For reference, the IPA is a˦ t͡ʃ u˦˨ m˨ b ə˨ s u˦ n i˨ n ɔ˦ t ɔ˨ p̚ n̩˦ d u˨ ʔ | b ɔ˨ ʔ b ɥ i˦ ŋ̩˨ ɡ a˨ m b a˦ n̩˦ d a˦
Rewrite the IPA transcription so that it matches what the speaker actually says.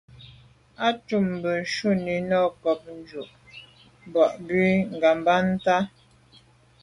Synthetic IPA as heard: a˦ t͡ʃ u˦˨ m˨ b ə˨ ʃ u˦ n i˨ n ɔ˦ k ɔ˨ p̚ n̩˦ d͡ʒ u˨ ʔ | b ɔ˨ ʔ b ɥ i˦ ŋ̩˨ ɡ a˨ m b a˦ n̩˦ t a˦

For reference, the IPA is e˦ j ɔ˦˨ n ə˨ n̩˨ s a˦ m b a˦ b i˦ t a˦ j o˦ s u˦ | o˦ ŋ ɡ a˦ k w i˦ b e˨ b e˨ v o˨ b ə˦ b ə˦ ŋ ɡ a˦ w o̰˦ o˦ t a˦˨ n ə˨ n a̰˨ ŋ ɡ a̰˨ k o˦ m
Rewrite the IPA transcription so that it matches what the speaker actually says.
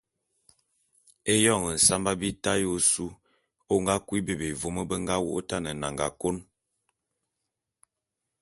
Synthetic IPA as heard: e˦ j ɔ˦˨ ŋ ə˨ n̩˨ s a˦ m b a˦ b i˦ t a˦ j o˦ s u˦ | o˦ ŋ ɡ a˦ k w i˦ b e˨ b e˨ v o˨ m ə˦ b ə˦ ŋ ɡ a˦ w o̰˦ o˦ t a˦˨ n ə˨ n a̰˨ ŋ ɡ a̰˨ k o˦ n

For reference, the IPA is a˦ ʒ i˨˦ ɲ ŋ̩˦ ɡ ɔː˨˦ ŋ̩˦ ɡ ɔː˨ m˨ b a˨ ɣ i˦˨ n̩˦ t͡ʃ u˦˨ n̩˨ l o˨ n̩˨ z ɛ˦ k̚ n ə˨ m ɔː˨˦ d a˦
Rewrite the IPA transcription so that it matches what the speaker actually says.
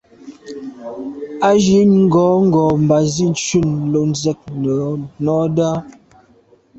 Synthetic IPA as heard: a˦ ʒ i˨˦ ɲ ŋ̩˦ ɡ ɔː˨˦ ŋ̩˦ ɡ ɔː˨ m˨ b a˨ z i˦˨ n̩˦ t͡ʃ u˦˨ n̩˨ l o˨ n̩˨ z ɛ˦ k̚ n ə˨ n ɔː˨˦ d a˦

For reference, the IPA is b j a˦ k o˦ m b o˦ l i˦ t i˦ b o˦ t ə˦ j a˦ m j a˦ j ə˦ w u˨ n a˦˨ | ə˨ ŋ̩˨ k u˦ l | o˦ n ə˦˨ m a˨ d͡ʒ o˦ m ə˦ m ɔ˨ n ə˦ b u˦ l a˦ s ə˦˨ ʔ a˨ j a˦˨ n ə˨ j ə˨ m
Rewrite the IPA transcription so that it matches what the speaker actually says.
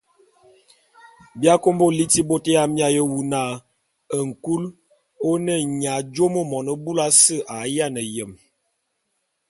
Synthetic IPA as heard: b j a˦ k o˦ m b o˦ l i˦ t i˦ b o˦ t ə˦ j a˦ m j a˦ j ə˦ w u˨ n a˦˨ | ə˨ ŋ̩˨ k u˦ l | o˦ n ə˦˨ ɲ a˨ d͡ʒ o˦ m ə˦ m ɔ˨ n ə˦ b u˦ l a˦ s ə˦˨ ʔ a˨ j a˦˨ n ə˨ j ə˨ m

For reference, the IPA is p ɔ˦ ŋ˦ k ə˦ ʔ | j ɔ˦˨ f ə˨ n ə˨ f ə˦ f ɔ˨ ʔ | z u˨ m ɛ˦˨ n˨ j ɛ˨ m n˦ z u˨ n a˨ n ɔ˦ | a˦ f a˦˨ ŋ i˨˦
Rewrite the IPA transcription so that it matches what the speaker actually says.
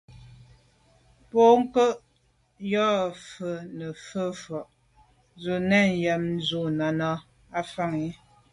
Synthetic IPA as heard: p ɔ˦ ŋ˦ k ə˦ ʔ | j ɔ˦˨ f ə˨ n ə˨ f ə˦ f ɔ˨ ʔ | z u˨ n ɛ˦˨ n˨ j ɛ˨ m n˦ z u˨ n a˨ n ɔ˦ | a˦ f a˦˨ ŋ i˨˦

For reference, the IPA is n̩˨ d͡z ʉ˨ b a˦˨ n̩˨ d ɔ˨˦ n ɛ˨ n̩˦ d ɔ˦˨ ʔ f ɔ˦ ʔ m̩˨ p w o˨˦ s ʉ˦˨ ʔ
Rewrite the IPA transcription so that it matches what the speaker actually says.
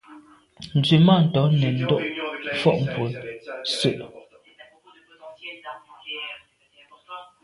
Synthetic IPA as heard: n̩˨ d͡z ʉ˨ m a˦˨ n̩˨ t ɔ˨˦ n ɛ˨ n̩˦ d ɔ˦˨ ʔ f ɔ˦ ʔ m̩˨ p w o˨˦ s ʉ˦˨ ʔ

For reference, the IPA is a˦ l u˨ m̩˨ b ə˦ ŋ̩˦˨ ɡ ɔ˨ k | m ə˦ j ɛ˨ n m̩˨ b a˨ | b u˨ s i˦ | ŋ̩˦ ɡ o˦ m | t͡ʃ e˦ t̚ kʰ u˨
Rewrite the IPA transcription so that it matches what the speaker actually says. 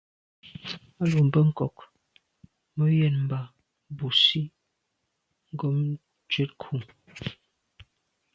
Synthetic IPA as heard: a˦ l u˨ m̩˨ b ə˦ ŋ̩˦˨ k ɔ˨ k | m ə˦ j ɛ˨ n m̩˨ b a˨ | b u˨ s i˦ | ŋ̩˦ ɡ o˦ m | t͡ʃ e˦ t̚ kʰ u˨

